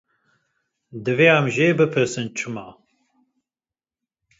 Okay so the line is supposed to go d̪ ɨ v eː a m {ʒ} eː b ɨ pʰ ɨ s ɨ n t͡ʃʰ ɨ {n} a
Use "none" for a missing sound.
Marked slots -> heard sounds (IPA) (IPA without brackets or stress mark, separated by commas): ʒ, m